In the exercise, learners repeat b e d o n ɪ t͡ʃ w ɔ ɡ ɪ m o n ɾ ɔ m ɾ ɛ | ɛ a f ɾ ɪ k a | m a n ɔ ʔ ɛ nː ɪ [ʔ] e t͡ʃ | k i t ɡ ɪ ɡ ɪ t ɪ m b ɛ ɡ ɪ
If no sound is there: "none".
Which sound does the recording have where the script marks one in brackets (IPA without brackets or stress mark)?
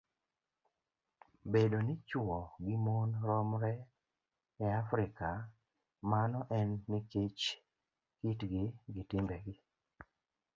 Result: k